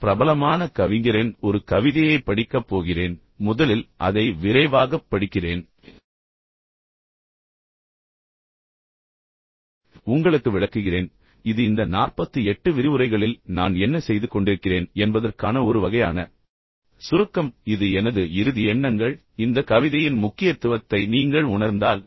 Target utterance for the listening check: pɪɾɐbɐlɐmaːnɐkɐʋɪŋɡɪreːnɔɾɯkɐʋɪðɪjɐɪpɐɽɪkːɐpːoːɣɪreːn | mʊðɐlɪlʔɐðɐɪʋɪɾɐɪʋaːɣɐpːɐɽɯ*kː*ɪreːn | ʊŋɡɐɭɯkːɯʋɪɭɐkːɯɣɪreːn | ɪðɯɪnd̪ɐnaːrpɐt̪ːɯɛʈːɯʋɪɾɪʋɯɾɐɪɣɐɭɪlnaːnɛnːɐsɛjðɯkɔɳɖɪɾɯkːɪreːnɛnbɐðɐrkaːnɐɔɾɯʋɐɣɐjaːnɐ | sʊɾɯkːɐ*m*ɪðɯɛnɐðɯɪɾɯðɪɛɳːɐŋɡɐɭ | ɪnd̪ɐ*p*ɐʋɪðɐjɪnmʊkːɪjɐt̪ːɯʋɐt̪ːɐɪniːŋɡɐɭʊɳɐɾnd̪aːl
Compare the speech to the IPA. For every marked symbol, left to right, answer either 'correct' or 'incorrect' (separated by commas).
correct, correct, incorrect